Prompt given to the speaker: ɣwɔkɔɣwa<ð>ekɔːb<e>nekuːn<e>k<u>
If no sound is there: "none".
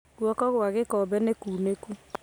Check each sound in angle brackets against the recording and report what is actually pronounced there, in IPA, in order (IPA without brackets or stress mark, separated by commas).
ɣ, ɛ, e, u